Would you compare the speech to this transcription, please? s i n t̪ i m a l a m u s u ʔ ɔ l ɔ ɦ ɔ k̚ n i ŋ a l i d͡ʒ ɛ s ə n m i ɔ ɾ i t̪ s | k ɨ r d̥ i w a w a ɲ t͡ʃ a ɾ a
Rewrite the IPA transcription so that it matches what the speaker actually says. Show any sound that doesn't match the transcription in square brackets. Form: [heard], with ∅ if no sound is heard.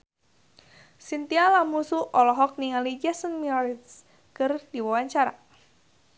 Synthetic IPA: s i n t̪ i [∅] a l a m u s u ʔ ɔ l ɔ ɦ ɔ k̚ n i ŋ a l i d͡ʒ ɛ s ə n m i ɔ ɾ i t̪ s | k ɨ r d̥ i w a w a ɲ t͡ʃ a ɾ a